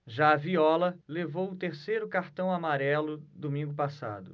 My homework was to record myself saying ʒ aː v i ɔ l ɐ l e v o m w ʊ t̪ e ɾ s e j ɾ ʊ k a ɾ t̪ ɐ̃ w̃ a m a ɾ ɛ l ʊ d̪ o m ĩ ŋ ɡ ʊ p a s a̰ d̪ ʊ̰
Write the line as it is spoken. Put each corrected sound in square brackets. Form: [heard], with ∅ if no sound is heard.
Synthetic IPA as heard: ʒ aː v i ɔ l ɐ l e v o [∅] w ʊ t̪ e ɾ s e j ɾ ʊ k a ɾ t̪ ɐ̃ w̃ a m a ɾ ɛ l ʊ d̪ o m ĩ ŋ ɡ ʊ p a s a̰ d̪ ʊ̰